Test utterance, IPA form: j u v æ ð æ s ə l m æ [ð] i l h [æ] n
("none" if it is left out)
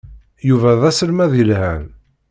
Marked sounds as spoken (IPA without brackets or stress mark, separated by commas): ð, æ